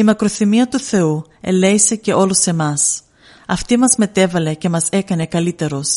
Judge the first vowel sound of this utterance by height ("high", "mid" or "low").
high